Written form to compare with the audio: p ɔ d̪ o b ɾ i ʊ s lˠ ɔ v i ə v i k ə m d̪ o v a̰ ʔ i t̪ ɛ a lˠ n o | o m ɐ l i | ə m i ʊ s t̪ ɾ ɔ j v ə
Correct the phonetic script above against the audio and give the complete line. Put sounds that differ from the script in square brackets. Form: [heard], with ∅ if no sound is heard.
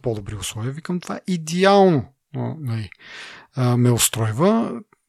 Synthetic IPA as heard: p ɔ d̪ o b ɾ i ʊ s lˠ ɔ v i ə v i k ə m [t̪] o v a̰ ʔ i [d̪] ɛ a lˠ n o | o [n] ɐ l i | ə m [ɛ] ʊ s t̪ ɾ ɔ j v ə